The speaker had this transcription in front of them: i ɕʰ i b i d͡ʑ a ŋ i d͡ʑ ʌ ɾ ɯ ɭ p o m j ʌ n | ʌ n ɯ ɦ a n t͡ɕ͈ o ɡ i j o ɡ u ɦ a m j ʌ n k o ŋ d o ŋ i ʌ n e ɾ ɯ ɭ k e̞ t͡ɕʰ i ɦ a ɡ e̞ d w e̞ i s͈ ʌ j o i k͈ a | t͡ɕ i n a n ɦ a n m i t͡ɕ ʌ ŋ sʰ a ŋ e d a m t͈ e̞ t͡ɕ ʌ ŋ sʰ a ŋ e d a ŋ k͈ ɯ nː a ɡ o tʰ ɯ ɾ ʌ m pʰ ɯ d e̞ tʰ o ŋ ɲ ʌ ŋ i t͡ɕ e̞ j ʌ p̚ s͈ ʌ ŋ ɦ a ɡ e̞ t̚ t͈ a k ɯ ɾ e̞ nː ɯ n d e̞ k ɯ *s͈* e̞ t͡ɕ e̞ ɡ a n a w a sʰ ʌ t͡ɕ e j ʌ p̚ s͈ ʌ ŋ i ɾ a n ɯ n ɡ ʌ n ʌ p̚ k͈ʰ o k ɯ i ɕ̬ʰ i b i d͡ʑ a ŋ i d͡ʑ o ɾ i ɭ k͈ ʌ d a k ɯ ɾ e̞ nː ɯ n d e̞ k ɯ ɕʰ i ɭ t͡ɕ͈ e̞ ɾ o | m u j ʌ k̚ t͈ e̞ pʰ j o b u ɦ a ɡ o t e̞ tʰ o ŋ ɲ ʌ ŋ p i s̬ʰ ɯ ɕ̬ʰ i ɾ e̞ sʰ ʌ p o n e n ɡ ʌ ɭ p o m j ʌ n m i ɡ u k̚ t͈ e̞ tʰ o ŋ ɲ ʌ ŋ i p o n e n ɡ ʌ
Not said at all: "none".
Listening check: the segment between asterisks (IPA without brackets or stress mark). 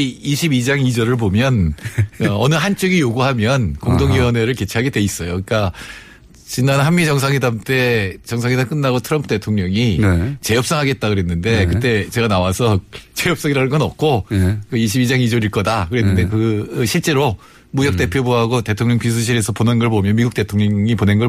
t͈